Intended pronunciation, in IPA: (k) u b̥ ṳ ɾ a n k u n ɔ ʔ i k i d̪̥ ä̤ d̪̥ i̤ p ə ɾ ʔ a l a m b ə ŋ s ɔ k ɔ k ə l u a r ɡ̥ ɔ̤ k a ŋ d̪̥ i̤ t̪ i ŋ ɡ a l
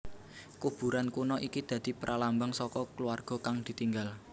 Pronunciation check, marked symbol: correct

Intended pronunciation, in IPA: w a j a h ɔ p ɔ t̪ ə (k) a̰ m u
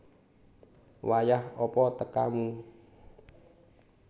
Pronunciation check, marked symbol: correct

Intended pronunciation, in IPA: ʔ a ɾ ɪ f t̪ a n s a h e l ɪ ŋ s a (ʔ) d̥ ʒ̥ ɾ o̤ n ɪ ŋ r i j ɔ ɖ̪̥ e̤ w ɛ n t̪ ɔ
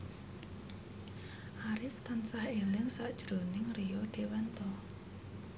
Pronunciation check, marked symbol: correct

